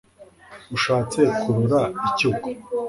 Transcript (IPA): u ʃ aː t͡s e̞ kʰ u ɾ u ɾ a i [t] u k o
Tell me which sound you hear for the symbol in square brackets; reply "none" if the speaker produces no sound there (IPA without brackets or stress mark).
c